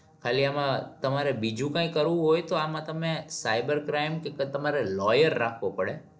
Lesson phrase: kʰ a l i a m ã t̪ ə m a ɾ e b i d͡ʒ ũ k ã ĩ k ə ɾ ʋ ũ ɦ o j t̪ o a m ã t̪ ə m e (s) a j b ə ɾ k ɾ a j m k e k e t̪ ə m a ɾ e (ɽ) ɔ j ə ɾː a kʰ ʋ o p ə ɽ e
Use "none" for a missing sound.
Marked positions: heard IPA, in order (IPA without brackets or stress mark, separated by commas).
s, l